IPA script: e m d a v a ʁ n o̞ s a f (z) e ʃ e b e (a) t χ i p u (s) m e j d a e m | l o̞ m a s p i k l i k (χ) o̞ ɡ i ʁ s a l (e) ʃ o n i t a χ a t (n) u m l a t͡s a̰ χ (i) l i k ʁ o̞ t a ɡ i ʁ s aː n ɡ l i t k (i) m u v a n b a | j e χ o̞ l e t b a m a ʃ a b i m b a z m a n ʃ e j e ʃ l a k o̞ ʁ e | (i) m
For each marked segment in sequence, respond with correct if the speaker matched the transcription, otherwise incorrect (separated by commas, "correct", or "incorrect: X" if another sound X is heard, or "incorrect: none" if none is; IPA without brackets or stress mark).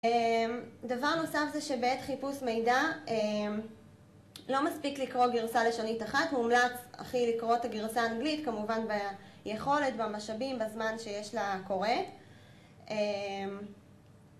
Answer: correct, incorrect: e, correct, incorrect: ʁ, correct, incorrect: m, correct, incorrect: a, incorrect: e